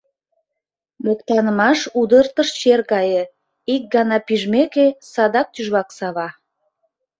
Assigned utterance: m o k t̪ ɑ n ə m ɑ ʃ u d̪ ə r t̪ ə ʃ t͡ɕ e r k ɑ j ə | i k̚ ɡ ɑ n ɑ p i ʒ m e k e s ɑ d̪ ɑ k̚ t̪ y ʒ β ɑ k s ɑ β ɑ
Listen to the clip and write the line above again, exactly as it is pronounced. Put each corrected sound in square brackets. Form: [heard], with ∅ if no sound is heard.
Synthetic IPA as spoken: m o k t̪ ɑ n ə m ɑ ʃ u d̪ ə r t̪ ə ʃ t͡ɕ e r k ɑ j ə | i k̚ ɡ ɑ n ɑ p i ʒ m e k e s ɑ d̪ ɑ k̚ t̪ y ʒ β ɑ k s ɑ β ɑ